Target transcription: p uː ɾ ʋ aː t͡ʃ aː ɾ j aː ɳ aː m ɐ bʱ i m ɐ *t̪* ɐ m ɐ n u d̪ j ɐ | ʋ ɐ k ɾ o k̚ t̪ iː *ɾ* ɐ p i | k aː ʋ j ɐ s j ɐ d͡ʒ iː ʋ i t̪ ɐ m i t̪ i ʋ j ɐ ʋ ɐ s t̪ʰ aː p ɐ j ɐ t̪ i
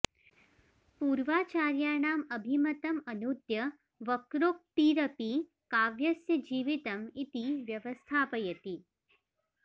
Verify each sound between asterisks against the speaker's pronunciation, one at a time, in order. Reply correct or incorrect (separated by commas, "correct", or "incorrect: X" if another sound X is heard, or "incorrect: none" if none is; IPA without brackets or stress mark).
correct, correct